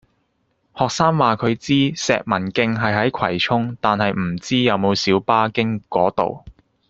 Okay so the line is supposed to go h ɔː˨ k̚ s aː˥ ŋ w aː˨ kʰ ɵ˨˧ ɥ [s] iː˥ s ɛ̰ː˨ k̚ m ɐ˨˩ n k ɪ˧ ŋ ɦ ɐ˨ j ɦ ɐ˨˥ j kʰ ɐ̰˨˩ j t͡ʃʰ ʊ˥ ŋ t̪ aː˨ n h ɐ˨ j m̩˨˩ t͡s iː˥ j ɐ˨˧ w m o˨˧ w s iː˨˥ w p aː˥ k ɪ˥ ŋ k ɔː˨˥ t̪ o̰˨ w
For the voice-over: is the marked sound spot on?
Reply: no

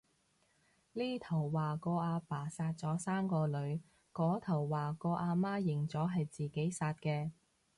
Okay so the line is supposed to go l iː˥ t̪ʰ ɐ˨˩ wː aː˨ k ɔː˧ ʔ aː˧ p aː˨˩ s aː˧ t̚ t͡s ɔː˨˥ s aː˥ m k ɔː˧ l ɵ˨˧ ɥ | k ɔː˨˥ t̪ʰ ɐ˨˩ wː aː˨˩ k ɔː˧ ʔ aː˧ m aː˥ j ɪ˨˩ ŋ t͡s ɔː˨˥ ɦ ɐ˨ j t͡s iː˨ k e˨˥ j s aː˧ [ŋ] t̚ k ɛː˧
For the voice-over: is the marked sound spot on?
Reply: no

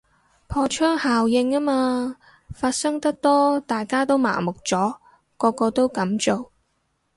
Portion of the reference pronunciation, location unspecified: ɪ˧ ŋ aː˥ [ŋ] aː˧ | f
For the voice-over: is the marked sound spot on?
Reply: no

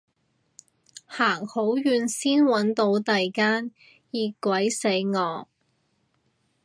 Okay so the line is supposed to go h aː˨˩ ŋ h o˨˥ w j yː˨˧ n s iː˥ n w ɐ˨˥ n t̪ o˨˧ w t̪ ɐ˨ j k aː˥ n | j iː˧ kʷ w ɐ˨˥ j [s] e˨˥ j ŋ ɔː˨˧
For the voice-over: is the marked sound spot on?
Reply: yes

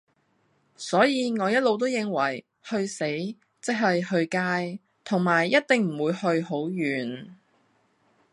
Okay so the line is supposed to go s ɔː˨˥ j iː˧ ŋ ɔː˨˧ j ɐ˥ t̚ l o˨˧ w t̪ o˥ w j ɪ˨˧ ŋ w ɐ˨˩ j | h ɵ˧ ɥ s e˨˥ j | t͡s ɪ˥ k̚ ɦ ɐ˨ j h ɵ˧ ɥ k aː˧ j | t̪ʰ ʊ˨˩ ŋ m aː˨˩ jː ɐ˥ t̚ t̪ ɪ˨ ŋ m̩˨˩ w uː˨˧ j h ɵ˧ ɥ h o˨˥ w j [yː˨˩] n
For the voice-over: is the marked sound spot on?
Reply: yes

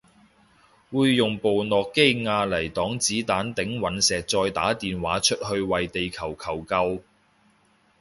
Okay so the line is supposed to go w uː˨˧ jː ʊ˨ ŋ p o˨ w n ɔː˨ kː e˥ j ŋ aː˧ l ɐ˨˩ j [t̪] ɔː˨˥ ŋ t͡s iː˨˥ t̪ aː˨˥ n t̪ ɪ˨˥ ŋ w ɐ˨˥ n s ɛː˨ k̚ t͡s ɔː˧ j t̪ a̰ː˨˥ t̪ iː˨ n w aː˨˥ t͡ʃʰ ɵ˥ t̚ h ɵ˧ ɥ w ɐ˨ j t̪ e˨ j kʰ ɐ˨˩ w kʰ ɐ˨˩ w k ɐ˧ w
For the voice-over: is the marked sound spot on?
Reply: yes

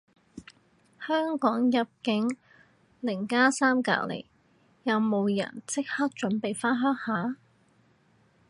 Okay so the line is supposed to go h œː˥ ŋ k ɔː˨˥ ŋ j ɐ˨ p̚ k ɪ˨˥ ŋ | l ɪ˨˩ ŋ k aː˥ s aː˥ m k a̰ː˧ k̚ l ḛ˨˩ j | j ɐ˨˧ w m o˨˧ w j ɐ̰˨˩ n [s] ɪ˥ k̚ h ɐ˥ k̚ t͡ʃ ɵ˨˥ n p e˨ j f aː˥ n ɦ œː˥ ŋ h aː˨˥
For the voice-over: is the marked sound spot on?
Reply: no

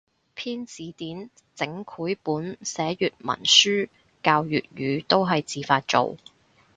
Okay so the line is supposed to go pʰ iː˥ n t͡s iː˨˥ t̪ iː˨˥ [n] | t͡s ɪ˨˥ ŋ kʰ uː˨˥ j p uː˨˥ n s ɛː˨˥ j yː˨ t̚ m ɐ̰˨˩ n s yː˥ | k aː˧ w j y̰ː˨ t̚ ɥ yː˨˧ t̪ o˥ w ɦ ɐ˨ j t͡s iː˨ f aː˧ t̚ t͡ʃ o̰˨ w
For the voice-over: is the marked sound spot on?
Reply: yes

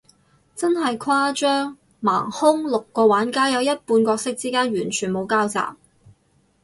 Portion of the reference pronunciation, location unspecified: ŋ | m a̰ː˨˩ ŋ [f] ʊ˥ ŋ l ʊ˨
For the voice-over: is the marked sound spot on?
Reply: no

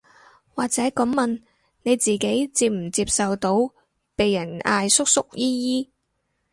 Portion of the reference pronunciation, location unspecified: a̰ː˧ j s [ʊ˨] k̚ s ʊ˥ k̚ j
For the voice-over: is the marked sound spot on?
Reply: no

